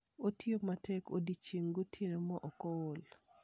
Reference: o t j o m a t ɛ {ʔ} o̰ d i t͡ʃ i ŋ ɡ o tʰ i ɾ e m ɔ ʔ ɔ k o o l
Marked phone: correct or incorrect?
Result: incorrect